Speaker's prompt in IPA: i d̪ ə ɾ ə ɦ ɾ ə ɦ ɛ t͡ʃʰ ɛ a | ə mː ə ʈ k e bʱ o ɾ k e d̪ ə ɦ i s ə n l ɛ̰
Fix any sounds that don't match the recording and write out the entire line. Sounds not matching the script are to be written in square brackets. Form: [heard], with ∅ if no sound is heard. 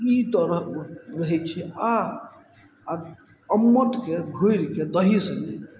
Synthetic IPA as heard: i [t̪] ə ɾ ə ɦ ɾ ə ɦ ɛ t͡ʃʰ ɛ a | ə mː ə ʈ k e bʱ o ɾ k e d̪ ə ɦ i s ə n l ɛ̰